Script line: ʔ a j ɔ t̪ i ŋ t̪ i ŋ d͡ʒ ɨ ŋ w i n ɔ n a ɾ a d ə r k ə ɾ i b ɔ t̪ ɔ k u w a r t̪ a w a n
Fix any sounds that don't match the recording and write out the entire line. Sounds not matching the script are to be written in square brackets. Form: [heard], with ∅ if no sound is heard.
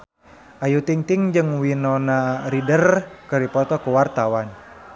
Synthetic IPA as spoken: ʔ a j [u] t̪ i ŋ t̪ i ŋ d͡ʒ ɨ ŋ w i n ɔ n a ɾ [i] d ə r k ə ɾ i [p] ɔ t̪ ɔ k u w a r t̪ a w a n